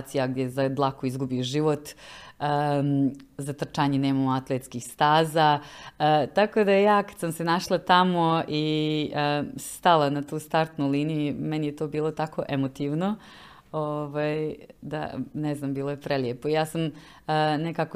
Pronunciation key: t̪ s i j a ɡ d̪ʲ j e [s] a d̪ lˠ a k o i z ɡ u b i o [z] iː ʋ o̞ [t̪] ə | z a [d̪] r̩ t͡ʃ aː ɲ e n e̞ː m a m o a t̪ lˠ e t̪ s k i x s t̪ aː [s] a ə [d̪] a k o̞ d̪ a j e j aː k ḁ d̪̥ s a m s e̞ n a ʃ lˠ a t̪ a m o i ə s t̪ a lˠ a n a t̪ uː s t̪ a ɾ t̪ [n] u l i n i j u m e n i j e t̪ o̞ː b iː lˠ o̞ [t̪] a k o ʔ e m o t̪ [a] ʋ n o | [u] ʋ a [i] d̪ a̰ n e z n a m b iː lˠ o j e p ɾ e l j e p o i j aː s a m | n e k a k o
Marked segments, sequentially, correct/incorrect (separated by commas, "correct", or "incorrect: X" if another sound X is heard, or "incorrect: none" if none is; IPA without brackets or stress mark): incorrect: z, incorrect: ʒ, correct, incorrect: t̪, incorrect: z, incorrect: t̪, correct, correct, incorrect: i, incorrect: o, incorrect: j